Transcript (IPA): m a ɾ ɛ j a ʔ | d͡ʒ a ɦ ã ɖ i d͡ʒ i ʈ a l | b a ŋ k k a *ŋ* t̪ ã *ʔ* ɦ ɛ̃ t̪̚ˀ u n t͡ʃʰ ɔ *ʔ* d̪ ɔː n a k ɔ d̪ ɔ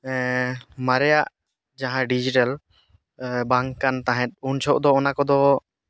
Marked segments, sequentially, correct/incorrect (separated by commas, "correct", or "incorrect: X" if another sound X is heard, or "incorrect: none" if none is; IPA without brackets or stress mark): incorrect: n, incorrect: none, correct